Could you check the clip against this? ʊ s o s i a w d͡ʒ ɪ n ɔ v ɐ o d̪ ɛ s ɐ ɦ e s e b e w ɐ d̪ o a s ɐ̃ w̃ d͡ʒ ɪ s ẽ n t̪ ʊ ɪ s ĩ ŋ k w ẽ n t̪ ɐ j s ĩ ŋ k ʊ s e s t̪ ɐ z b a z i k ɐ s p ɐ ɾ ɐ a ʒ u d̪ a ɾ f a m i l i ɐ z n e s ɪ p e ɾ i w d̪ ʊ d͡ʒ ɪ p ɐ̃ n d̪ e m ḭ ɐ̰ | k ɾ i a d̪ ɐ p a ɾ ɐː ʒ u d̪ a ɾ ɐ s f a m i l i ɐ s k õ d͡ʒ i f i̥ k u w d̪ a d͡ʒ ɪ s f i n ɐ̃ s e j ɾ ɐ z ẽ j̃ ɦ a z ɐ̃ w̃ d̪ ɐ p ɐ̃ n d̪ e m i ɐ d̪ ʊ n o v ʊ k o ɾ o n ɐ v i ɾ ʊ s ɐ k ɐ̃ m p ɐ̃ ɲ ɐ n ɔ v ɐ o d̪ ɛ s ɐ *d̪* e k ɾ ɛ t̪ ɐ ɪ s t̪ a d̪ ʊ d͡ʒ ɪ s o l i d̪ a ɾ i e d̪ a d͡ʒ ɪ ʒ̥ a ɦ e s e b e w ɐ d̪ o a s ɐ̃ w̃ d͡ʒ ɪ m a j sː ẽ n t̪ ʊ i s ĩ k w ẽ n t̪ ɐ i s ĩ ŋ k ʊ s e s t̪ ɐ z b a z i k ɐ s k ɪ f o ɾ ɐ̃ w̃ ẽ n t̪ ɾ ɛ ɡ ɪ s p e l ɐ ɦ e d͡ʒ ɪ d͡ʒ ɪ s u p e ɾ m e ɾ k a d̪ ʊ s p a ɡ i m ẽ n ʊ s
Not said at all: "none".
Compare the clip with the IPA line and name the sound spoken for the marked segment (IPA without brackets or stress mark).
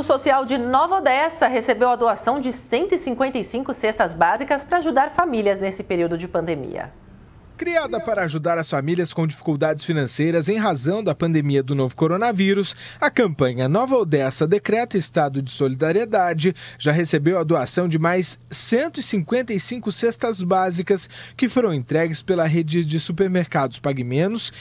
d̪